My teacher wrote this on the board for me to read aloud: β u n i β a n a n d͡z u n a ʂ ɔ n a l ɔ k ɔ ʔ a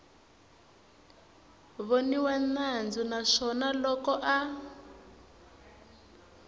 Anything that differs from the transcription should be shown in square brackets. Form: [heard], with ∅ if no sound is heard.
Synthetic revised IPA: β [o] n i [w] a n a n d͡z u n a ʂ ɔ n a l ɔ k ɔ ʔ a